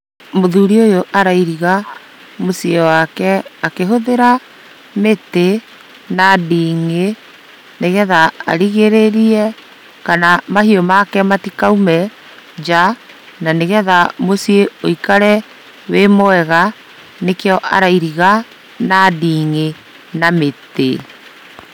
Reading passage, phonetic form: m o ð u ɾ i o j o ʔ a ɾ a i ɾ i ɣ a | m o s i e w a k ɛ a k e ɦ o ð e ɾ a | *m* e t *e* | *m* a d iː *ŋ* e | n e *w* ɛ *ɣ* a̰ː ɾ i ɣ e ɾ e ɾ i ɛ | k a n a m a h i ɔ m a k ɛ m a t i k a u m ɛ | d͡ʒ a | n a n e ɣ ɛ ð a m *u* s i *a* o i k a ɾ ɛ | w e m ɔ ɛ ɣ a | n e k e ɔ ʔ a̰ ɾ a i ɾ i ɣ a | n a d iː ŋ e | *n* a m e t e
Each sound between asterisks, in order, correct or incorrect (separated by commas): correct, correct, incorrect, correct, incorrect, incorrect, incorrect, incorrect, correct